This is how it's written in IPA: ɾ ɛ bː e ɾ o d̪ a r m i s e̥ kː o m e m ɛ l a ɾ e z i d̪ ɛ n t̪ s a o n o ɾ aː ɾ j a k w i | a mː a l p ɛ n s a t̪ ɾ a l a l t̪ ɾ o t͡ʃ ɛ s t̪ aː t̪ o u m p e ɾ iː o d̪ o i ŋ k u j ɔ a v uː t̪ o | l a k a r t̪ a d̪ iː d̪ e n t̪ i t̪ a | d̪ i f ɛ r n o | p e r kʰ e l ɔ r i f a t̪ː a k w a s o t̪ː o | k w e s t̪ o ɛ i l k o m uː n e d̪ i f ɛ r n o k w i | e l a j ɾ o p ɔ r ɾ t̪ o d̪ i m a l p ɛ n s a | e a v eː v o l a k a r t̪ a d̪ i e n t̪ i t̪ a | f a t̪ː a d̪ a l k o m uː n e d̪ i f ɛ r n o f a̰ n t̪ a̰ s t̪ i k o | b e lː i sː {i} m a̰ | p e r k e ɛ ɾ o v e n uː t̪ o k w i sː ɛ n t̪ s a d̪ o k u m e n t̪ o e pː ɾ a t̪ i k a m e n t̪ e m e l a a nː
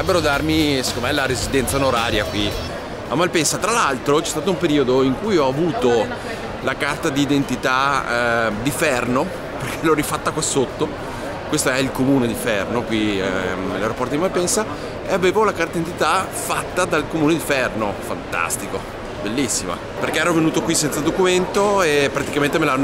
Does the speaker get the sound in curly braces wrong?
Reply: no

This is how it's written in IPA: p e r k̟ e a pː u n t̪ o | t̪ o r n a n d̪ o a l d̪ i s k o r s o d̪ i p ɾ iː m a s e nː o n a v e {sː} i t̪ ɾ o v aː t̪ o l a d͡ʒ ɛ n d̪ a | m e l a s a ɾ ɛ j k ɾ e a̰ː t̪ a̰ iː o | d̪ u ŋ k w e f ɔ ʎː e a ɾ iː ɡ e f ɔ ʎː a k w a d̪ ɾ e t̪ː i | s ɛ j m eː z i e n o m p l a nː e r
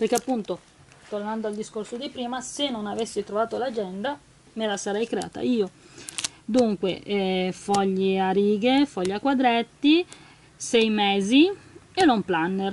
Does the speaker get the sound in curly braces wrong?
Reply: no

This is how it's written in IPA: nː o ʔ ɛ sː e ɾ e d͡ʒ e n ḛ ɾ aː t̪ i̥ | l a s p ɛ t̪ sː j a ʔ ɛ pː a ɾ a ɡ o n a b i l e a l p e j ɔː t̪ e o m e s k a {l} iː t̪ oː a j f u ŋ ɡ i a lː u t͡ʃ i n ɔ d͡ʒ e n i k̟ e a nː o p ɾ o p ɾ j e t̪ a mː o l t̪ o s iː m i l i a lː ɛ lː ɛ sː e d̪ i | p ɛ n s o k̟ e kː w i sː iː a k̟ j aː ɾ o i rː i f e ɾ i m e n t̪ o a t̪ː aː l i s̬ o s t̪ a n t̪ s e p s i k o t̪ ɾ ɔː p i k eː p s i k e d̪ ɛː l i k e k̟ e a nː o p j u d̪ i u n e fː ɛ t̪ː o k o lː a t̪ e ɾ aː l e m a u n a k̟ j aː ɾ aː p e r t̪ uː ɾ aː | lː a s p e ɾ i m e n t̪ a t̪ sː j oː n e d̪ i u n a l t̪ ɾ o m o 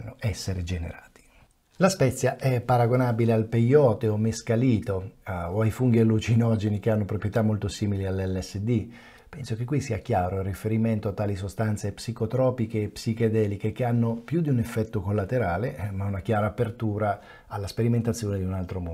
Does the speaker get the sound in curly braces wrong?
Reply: no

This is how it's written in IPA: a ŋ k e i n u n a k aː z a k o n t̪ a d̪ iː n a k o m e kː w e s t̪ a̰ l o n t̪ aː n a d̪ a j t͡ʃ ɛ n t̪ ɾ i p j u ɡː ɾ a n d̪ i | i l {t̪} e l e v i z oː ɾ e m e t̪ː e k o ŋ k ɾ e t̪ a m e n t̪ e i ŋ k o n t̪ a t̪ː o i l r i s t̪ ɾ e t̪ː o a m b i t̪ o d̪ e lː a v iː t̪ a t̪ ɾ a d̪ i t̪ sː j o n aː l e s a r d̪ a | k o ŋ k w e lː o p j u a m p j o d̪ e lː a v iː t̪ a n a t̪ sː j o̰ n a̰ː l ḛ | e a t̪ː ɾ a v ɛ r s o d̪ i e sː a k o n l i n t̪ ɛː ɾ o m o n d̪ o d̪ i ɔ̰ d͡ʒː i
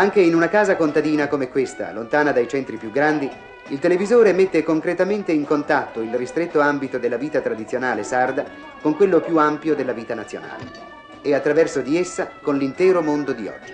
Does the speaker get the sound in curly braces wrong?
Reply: no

